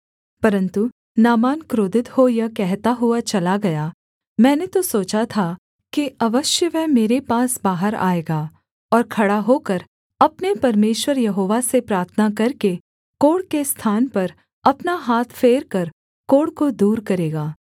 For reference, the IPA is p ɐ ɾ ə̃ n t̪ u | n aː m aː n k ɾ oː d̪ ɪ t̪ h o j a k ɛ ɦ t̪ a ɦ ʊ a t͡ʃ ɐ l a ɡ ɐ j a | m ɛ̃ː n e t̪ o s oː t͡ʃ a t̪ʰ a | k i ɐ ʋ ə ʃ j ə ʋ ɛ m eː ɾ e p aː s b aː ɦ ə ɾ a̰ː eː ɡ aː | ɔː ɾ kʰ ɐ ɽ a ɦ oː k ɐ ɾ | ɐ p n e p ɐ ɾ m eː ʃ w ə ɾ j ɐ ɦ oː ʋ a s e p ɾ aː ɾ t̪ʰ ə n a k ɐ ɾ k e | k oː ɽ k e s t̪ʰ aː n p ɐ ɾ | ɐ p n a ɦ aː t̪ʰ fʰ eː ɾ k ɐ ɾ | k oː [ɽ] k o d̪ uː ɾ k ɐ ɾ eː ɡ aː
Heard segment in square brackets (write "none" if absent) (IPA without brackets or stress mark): ɽ